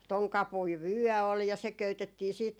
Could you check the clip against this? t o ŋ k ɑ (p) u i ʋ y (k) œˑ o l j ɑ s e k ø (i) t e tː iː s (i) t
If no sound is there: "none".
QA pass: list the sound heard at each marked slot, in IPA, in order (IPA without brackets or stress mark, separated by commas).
p, none, y, iː